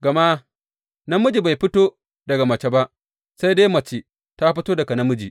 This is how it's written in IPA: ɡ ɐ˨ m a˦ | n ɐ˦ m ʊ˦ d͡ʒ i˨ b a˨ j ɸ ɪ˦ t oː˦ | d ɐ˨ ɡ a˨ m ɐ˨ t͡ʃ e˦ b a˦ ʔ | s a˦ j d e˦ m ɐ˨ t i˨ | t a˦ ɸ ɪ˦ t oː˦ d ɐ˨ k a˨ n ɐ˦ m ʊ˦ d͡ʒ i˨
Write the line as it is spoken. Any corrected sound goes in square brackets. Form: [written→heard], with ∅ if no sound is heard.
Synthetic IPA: ɡ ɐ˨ m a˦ | n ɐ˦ m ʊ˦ d͡ʒ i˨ b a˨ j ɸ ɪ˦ t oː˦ | d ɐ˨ ɡ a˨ m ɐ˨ t͡ʃ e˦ b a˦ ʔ | s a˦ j d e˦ m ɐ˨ [t→t͡ʃ] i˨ | t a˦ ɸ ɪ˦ t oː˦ d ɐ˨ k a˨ n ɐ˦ m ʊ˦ d͡ʒ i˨